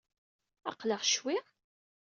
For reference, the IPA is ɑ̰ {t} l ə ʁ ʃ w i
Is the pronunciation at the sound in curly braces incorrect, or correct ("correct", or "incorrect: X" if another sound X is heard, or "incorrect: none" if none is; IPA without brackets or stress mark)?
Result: incorrect: q